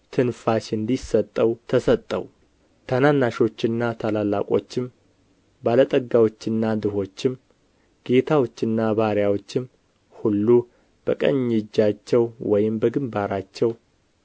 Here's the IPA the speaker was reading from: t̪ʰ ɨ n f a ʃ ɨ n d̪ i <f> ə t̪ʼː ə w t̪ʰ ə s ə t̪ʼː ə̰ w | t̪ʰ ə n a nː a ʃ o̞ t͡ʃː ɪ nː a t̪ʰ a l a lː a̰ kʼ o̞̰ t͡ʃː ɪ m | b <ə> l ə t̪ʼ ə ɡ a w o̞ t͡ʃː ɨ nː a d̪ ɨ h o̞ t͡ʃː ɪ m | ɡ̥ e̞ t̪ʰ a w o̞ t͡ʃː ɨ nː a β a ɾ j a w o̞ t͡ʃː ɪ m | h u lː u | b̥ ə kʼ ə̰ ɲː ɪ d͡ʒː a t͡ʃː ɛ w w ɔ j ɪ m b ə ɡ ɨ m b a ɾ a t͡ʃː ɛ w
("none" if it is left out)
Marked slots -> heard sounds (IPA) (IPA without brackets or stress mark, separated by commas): s, a